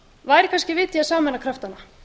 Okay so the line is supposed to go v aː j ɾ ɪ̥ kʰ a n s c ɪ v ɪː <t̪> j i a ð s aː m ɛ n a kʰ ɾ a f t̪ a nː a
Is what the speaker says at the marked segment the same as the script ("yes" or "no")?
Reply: yes